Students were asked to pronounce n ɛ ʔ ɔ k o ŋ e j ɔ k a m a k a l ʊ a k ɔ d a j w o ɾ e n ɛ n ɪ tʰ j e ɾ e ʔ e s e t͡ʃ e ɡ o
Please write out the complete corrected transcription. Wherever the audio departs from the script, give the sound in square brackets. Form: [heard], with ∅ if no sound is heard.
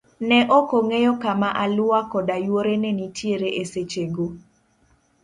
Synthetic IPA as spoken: n ɛ ʔ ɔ k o ŋ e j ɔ k a m a [ʔ] a l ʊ a k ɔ d a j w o ɾ e n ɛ n [i] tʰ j e ɾ e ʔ e s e t͡ʃ e ɡ o